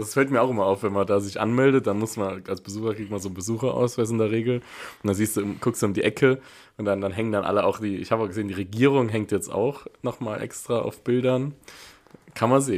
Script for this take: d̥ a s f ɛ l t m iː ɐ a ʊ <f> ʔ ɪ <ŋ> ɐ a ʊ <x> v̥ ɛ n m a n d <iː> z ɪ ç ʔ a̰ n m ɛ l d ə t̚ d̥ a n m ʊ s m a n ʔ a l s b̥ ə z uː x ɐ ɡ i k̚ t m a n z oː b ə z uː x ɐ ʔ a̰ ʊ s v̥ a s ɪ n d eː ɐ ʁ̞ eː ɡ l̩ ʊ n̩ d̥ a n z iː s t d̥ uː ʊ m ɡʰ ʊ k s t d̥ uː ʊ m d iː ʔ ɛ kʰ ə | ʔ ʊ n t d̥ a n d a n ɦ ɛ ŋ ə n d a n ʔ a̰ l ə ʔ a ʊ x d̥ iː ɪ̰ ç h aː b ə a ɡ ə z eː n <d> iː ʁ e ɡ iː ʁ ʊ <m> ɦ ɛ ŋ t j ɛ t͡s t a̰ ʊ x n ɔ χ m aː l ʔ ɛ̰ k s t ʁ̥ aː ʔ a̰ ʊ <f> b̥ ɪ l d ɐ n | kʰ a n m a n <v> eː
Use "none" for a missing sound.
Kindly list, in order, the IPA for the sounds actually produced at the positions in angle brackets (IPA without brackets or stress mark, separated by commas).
x, m, f, aː, d, ŋ, f, z